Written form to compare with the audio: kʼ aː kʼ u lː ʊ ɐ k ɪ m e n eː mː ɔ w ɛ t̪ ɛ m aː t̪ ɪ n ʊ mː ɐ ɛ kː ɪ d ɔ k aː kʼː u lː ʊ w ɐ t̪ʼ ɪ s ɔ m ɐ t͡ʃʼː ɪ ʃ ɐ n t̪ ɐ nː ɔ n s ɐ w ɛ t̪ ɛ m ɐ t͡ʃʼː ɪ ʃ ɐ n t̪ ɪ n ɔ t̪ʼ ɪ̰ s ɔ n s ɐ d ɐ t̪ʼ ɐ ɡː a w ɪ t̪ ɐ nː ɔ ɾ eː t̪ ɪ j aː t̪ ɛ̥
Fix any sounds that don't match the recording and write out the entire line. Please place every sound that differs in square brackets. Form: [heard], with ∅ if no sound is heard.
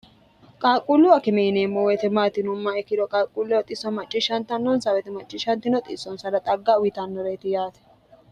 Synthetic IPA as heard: kʼ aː kʼ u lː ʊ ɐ k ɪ m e n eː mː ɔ w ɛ t̪ ɛ m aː t̪ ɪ n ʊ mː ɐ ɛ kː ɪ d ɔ [kʼ] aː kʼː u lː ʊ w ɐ t̪ʼ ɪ s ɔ m ɐ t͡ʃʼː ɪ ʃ ɐ n t̪ ɐ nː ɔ n s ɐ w ɛ t̪ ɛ m ɐ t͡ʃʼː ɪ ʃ ɐ n t̪ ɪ n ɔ t̪ʼ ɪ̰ s ɔ n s ɐ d ɐ t̪ʼ ɐ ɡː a w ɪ t̪ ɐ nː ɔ ɾ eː t̪ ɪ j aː t̪ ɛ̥

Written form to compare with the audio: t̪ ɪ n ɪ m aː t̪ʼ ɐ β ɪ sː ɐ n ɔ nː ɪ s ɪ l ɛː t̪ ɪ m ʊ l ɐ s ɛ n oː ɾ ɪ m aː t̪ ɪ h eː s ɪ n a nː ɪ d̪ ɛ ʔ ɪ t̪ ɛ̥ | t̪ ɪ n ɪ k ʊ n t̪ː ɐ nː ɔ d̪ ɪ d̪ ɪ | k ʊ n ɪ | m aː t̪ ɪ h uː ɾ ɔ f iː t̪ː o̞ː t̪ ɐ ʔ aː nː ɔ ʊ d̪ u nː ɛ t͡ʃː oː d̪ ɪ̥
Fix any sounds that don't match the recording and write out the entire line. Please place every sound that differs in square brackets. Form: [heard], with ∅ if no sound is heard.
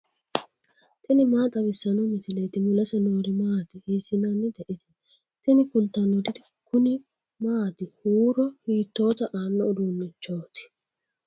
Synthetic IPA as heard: t̪ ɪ n ɪ m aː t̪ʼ ɐ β ɪ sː ɐ n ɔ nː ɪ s ɪ l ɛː t̪ ɪ m ʊ l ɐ s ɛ n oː ɾ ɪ m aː t̪ ɪ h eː s ɪ n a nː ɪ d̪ ɛ ʔ ɪ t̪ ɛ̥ | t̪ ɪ n ɪ k ʊ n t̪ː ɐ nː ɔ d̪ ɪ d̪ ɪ | k ʊ n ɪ | m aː t̪ ɪ h uː ɾ ɔ [h] iː t̪ː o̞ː t̪ ɐ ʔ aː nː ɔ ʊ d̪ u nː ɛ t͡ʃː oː [t̪] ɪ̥

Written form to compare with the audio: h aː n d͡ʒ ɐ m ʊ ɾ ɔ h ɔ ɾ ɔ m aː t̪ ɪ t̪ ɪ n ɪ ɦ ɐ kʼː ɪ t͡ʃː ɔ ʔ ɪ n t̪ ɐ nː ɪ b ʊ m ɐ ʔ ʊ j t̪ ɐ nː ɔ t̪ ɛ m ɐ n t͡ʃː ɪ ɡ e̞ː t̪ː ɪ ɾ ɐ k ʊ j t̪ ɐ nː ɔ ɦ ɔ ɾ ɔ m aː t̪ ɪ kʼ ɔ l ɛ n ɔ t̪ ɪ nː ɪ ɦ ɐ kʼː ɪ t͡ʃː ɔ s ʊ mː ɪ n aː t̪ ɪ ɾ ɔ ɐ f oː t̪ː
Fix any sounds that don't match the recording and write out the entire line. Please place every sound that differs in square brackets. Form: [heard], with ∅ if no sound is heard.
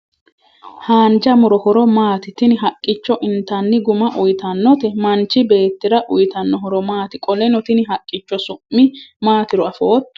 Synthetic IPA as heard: h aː n d͡ʒ ɐ m ʊ ɾ ɔ h ɔ ɾ ɔ m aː t̪ ɪ t̪ ɪ n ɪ ɦ ɐ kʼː ɪ t͡ʃː ɔ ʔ ɪ n t̪ ɐ nː ɪ [ɡ] ʊ m ɐ ʔ ʊ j t̪ ɐ nː ɔ t̪ ɛ m ɐ n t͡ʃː ɪ [b] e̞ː t̪ː ɪ ɾ ɐ [ʔ] ʊ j t̪ ɐ nː ɔ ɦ ɔ ɾ ɔ m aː t̪ ɪ kʼ ɔ l ɛ n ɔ t̪ ɪ [n] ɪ ɦ ɐ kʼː ɪ t͡ʃː ɔ s ʊ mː ɪ [m] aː t̪ ɪ ɾ ɔ ɐ f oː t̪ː

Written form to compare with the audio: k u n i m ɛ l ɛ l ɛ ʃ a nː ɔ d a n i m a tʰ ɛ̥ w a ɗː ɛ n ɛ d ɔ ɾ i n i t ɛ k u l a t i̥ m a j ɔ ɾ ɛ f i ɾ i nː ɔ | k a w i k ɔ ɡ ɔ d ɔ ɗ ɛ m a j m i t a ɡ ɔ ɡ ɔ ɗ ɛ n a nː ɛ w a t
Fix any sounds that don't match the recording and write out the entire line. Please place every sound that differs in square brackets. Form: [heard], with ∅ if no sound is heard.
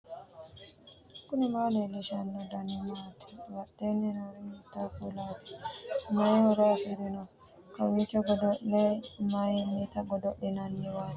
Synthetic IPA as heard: k u n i m [a] l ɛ l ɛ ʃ a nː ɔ d a n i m a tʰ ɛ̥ w a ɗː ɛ n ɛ [n] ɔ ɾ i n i t [a] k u l a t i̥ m a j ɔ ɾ [a] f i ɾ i [n] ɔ | k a w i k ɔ ɡ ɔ d ɔ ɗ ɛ m a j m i t a ɡ ɔ [d] ɔ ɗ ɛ n a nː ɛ w a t

